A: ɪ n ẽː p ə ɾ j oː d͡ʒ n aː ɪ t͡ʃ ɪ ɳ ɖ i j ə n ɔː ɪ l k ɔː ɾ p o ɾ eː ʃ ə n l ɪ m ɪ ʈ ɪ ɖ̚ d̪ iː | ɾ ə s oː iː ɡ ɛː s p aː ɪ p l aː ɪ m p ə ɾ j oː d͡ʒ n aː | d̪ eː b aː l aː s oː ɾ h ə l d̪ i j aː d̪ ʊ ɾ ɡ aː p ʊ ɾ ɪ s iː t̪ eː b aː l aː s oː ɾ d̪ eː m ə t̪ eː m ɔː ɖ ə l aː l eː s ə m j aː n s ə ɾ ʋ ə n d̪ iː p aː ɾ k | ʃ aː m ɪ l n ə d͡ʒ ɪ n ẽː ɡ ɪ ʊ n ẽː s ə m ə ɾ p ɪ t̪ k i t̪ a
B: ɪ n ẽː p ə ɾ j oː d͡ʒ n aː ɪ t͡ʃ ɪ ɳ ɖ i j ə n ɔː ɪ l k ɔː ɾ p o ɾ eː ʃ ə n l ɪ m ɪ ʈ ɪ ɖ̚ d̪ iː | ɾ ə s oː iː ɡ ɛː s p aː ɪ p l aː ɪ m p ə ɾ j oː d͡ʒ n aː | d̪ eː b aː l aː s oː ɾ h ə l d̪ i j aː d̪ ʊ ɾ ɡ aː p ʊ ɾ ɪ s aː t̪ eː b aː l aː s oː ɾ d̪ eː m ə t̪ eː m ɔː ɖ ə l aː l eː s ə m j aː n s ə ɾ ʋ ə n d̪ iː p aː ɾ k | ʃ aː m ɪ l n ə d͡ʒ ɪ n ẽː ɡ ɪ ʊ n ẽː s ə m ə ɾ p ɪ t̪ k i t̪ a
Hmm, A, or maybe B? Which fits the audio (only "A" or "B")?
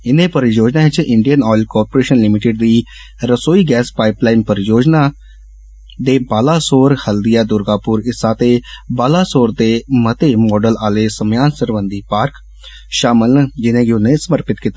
B